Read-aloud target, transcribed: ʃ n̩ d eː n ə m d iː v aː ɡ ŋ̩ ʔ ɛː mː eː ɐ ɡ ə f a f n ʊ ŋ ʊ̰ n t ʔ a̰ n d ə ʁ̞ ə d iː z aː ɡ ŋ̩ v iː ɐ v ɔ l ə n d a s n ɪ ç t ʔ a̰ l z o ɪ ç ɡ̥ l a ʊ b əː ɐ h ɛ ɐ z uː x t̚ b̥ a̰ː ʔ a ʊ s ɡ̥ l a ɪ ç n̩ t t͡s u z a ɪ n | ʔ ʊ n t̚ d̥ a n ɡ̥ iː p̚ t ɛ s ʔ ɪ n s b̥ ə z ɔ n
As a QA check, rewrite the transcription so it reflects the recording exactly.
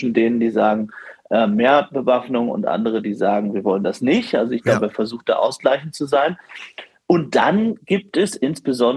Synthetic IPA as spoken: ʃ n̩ d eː n ə n d iː z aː ɡ ŋ̩ ʔ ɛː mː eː ɐ b ə v a f n ʊ ŋ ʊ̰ n t ʔ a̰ n d ə ʁ̞ ə d iː z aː ɡ ŋ̩ v iː ɐ v ɔ l ə n d a s n ɪ ç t ʔ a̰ l z o ɪ ç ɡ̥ l a ʊ b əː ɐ f ɛ ɐ z uː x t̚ d̥ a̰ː ʔ a ʊ s ɡ̥ l a ɪ ç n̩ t t͡s u z a ɪ n | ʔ ʊ n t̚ d̥ a n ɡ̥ iː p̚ t ɛ s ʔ ɪ n s b̥ ə z ɔ n